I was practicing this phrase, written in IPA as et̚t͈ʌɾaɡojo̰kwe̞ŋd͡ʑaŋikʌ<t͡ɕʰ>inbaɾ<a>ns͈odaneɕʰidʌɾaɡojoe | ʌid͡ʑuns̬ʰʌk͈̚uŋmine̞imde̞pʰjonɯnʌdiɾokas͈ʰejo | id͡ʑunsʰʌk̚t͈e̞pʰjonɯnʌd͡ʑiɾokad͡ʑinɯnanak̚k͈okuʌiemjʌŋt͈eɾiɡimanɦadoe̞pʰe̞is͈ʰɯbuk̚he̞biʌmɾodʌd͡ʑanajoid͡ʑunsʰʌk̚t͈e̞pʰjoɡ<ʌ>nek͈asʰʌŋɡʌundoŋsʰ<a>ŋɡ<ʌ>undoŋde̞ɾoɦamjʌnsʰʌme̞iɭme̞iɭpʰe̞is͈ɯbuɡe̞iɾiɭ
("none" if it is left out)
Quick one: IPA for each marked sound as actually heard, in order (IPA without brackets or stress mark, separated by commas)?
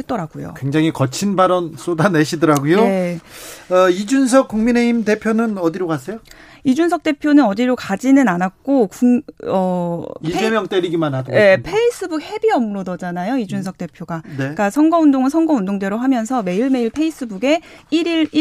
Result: t͡ɕʰ, ʌ, a, ʌ, ʌ